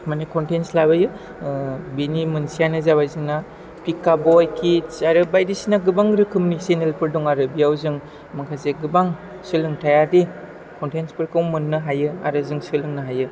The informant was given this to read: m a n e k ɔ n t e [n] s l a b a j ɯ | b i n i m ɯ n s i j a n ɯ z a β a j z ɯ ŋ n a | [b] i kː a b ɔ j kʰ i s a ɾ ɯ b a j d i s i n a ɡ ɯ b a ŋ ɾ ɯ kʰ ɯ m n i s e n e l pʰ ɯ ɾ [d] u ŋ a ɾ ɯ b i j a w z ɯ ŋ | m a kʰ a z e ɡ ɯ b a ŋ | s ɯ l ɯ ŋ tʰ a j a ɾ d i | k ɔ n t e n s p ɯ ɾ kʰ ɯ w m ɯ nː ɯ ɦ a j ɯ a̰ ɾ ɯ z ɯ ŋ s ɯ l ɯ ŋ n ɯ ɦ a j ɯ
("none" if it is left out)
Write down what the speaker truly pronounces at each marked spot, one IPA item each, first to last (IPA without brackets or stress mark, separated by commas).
n, p, d